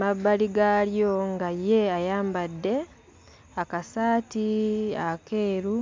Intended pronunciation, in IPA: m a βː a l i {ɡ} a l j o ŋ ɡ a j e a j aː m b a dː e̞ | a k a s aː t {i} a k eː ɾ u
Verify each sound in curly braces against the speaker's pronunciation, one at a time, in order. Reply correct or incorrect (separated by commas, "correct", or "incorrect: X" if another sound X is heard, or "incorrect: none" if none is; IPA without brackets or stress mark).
correct, correct